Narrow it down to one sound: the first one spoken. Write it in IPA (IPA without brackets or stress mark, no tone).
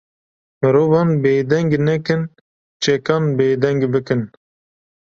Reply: m